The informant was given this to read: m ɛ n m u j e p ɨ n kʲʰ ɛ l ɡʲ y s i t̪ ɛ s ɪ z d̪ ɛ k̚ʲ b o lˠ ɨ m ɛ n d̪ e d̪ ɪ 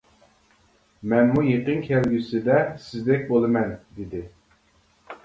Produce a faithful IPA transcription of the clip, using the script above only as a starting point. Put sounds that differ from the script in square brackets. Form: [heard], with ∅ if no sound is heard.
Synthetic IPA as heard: m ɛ n m u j e [q] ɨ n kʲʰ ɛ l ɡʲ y s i [d̪] ɛ s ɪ z d̪ ɛ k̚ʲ b o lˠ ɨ m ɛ n d̪ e d̪ ɪ